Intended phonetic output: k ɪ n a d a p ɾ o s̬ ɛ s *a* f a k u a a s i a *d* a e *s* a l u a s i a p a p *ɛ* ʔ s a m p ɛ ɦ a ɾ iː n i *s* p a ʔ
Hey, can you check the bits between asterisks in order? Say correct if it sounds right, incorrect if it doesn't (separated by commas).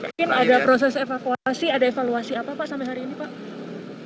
incorrect, correct, incorrect, incorrect, incorrect